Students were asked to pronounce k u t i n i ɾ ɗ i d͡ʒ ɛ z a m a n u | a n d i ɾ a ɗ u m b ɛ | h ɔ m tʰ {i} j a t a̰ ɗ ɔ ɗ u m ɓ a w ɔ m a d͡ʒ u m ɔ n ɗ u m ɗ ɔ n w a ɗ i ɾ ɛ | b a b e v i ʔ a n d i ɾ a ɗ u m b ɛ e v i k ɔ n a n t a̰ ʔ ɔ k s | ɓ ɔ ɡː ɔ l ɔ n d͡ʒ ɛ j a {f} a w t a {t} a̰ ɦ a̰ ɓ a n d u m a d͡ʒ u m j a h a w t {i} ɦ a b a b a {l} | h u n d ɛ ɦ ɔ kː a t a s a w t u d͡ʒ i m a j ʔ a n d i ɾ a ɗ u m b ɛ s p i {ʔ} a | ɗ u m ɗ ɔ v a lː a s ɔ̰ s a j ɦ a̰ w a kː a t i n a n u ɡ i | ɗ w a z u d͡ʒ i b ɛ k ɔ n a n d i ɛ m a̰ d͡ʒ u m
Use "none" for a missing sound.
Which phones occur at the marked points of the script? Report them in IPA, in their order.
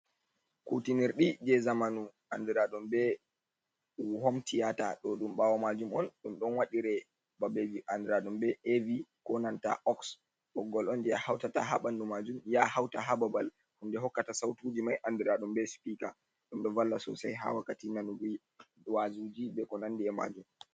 i, h, t, a, l, k

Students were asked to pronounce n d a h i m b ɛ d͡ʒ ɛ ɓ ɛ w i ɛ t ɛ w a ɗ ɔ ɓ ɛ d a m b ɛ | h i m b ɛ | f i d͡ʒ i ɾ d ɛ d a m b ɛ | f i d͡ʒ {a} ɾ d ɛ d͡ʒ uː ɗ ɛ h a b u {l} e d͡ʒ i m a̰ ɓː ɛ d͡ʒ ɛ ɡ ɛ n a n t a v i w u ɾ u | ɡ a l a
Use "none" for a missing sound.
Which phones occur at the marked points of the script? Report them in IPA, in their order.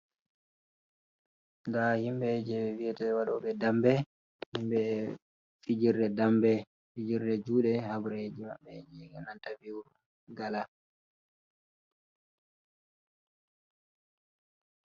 i, ɾ

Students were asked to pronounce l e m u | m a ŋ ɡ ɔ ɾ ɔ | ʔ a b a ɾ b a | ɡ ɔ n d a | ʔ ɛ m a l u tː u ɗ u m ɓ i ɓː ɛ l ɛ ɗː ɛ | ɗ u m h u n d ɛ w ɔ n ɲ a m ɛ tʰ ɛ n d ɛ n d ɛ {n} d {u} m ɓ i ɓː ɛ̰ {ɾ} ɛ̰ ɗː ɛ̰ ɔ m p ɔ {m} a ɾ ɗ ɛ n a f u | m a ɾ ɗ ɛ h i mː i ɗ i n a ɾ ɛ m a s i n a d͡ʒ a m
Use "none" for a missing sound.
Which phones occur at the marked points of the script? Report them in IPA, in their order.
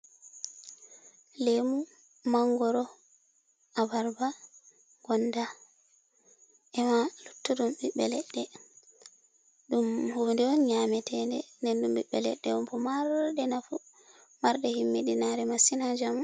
n, u, l, m

